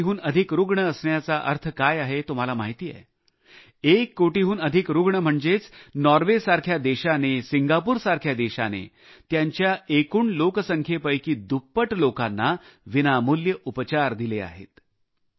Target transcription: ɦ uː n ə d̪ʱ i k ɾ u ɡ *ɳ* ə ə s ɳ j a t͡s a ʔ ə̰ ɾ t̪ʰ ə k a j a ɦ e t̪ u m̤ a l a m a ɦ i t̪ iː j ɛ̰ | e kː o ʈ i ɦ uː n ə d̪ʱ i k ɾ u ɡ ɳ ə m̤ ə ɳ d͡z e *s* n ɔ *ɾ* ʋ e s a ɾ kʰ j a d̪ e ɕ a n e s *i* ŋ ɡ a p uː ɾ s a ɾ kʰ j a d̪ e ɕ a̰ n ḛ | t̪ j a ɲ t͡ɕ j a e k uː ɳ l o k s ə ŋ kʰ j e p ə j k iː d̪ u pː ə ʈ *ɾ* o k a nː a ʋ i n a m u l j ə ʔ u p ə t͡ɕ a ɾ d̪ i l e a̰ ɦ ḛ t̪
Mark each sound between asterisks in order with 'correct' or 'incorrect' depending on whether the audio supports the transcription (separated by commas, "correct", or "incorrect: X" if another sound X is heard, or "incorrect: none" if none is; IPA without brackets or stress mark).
correct, incorrect: t͡s, correct, correct, incorrect: l